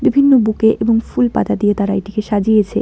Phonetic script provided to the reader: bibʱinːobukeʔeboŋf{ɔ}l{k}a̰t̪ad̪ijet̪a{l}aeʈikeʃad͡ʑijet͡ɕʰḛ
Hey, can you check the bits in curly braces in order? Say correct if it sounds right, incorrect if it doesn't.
incorrect: u, incorrect: p, incorrect: ɾ

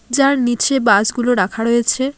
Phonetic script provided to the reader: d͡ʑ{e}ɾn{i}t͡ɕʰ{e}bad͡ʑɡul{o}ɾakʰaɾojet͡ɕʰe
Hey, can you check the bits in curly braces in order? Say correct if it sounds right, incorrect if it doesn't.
incorrect: a, correct, correct, correct

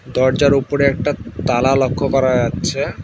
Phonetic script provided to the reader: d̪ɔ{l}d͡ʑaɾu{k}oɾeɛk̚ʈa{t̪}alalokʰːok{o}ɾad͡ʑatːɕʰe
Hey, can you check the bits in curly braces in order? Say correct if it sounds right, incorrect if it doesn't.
incorrect: ɾ, incorrect: p, correct, incorrect: ɔ

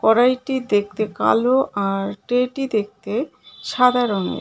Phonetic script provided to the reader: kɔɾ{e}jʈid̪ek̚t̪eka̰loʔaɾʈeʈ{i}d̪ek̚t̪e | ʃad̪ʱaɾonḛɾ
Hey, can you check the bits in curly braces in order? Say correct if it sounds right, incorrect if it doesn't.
incorrect: a, correct

